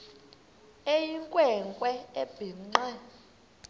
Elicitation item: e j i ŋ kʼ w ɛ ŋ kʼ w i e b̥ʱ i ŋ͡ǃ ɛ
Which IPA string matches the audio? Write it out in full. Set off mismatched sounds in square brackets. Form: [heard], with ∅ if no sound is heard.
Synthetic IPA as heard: e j i ŋ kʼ w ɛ ŋ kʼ w [ɛ] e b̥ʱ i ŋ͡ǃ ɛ